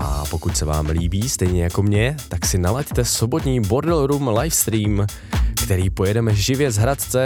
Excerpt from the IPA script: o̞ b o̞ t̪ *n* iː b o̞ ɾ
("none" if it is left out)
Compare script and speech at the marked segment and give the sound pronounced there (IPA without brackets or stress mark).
ɲ